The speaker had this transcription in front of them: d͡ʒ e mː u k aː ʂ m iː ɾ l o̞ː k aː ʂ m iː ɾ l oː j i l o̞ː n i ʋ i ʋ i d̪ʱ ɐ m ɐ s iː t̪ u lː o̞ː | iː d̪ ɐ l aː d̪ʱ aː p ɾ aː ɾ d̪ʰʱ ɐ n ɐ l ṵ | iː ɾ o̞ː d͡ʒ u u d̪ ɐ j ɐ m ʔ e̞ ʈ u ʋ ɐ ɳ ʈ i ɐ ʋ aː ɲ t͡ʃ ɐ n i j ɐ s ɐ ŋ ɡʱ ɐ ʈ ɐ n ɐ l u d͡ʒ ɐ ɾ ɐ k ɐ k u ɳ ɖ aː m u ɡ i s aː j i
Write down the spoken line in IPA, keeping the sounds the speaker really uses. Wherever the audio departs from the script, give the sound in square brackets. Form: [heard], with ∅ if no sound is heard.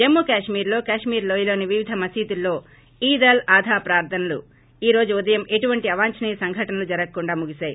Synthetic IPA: d͡ʒ e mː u k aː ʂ m iː ɾ l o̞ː k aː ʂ m iː ɾ l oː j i l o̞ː n i ʋ i ʋ i d̪ʱ ɐ m ɐ s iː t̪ u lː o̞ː | iː d̪ ɐ l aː d̪ʱ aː p ɾ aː ɾ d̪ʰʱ ɐ n ɐ l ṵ | iː ɾ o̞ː d͡ʒ u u d̪ ɐ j ɐ m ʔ e̞ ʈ u ʋ ɐ ɳ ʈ i ɐ ʋ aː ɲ t͡ʃ ɐ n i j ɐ s ɐ ŋ ɡʱ ɐ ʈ ɐ n ɐ l u d͡ʒ ɐ ɾ ɐ k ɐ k u ɳ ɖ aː m u ɡ i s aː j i